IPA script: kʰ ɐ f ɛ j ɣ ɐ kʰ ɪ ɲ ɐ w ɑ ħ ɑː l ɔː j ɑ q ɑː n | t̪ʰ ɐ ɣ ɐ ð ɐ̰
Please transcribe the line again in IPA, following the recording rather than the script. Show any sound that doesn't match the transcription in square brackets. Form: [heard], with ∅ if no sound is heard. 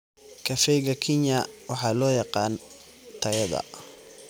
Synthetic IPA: kʰ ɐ f ɛ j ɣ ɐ kʰ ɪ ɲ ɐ w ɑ ħ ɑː l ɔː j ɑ q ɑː n | t̪ʰ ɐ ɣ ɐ ð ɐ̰